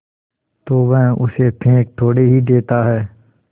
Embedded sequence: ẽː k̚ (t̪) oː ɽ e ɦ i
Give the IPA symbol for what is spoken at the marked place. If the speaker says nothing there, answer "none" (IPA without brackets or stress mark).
t̪ʰ